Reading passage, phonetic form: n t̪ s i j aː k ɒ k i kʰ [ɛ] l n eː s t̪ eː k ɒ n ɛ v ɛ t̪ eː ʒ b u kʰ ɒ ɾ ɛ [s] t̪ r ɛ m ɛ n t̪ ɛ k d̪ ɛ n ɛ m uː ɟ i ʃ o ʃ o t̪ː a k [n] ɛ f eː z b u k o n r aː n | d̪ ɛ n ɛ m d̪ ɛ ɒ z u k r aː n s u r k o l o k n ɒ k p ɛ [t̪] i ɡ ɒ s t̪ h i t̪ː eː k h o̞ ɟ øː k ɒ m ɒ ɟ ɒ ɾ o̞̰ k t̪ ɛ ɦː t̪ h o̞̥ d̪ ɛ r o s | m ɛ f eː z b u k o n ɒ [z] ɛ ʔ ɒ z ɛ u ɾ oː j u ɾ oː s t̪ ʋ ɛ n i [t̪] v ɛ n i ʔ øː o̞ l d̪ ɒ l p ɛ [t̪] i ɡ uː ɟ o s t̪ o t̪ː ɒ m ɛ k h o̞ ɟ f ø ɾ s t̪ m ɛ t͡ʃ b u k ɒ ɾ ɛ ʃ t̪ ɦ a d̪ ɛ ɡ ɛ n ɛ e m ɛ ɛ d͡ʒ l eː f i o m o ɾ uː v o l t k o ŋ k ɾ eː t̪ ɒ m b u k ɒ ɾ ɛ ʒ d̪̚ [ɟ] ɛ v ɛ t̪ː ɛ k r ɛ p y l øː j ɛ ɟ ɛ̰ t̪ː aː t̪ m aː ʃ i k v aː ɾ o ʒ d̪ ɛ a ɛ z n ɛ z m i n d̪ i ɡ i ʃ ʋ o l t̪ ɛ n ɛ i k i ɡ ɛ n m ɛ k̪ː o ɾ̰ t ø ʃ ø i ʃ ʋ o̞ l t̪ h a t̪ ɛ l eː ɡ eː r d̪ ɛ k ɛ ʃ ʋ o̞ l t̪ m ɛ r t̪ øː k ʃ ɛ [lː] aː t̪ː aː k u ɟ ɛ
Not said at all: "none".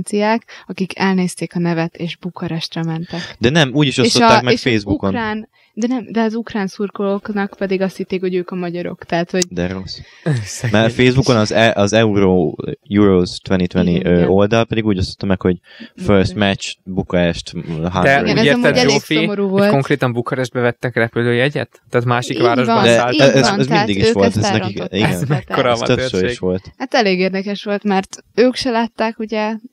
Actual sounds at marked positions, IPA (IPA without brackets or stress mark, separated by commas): ɛ, ʃ, m, d̪, z, t̪, d̪, b, l